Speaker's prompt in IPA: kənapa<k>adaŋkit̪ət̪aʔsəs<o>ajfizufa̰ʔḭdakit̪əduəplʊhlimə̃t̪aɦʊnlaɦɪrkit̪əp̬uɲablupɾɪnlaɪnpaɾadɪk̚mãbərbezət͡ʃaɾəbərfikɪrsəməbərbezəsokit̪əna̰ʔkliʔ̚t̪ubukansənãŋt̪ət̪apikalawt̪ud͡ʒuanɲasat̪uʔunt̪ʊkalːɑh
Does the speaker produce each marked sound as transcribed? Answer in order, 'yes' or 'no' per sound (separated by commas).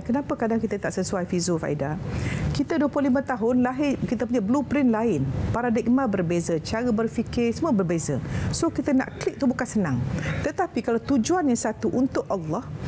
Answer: yes, no